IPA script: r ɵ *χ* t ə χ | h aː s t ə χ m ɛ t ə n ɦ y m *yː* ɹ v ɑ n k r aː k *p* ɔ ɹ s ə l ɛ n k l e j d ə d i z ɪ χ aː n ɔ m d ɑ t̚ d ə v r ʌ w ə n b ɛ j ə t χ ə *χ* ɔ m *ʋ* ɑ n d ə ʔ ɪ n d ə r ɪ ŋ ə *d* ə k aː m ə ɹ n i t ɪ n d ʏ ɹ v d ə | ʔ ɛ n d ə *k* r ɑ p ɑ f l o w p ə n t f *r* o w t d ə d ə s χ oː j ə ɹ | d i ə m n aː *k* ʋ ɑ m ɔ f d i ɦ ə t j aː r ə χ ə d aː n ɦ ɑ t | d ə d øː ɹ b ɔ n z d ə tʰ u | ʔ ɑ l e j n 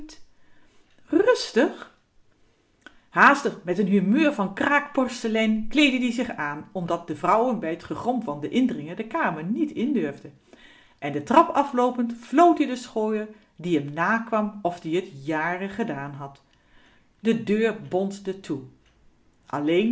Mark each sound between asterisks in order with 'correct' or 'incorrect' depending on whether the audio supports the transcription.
incorrect: s, incorrect: øː, correct, correct, incorrect: v, correct, incorrect: t, incorrect: l, correct

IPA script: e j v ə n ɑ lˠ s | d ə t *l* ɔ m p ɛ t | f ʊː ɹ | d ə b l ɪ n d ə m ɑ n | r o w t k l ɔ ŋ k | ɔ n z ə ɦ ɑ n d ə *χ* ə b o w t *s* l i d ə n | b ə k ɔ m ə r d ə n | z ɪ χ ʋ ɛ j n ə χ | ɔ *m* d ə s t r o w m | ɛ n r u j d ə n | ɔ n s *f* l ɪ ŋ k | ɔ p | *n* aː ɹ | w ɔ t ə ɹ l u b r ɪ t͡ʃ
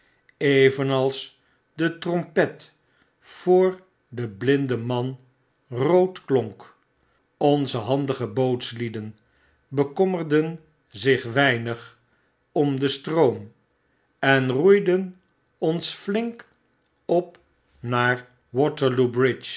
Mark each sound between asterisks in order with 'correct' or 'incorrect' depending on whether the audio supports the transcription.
incorrect: r, correct, correct, correct, correct, correct

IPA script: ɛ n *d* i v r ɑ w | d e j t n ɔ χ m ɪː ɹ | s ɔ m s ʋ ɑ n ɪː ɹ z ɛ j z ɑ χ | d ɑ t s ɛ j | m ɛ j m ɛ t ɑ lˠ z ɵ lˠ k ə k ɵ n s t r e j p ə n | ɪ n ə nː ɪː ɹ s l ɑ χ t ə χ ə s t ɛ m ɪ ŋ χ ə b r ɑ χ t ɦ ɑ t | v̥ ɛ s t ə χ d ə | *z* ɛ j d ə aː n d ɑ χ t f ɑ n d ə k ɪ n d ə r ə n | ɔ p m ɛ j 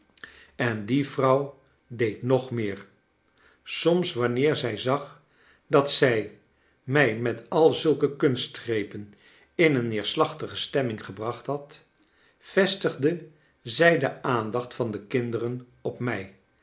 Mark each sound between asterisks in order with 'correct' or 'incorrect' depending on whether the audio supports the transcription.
correct, correct

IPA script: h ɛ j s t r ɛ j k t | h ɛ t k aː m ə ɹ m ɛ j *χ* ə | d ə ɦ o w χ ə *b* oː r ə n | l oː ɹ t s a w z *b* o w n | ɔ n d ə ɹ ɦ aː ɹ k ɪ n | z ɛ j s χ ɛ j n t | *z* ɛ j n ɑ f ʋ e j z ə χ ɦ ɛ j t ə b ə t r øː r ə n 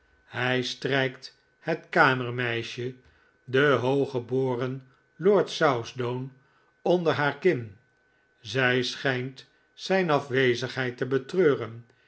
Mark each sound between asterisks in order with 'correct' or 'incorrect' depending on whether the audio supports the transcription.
incorrect: ʃ, correct, incorrect: d, incorrect: s

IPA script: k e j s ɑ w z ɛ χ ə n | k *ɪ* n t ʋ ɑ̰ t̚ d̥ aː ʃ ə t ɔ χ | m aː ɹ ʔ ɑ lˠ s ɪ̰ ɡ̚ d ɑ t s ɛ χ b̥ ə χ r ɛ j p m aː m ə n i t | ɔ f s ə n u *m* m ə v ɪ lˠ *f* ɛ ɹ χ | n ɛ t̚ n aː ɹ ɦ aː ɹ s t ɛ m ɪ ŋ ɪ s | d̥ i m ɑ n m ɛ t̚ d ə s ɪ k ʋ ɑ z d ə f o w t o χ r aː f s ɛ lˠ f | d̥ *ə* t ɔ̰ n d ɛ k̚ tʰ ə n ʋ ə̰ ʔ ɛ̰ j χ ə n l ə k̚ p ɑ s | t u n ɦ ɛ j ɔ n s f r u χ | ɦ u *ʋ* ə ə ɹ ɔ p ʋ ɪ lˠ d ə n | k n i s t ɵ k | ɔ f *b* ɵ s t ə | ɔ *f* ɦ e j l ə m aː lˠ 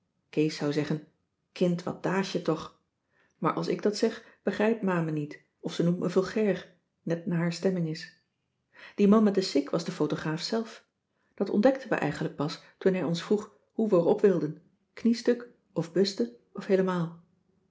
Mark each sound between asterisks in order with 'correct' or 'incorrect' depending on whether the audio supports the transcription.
correct, correct, incorrect: χ, incorrect: ɑ, correct, correct, correct

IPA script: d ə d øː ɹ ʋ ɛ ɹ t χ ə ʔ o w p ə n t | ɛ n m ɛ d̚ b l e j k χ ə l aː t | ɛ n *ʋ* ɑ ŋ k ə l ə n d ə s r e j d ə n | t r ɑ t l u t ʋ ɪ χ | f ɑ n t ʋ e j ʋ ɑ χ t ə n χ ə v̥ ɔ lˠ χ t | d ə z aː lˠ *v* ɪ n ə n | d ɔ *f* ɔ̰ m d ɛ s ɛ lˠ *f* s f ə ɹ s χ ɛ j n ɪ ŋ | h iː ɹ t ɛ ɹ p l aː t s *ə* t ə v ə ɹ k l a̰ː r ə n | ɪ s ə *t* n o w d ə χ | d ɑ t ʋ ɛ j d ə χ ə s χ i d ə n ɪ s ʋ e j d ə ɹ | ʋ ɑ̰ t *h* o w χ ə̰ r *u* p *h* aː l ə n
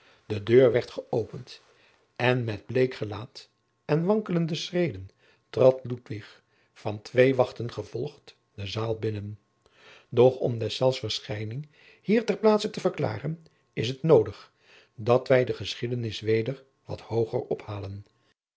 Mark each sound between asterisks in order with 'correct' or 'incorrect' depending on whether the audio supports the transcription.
correct, incorrect: b, incorrect: χ, correct, correct, correct, correct, incorrect: ɔ, correct

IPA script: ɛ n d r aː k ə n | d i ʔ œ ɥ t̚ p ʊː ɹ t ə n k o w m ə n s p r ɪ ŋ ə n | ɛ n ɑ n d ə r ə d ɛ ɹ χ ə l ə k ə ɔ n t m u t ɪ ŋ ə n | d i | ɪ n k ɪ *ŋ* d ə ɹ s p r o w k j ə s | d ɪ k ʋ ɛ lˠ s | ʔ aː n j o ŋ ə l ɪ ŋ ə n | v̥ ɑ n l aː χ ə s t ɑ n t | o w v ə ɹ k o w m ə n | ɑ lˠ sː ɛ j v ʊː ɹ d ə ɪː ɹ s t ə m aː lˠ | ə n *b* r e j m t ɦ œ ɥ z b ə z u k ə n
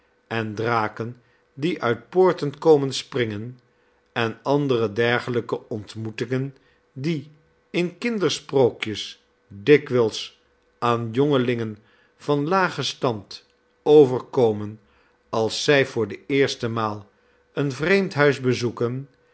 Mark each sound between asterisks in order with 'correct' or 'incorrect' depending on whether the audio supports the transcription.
incorrect: n, incorrect: v

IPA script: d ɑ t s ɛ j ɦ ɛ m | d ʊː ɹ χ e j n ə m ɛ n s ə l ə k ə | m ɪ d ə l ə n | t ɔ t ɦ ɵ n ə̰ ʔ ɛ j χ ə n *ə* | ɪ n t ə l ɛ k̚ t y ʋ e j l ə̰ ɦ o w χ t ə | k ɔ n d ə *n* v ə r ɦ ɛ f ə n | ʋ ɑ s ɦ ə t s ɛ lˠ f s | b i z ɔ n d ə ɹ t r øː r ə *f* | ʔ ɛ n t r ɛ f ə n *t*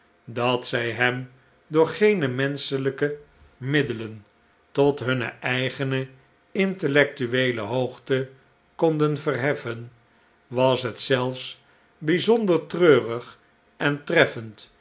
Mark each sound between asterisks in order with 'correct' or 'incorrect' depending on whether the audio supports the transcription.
correct, correct, incorrect: χ, correct

